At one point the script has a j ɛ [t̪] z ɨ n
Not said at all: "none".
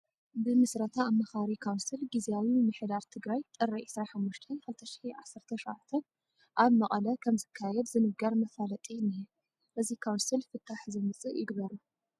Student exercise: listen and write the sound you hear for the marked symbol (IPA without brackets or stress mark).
d̪